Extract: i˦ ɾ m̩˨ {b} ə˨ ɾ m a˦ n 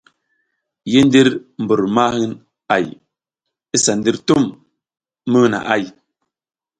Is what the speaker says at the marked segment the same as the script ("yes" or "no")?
yes